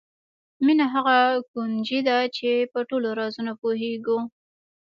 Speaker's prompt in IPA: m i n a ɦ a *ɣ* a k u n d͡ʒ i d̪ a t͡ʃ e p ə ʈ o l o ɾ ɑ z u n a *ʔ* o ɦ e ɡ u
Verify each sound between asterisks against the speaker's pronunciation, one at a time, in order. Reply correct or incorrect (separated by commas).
correct, incorrect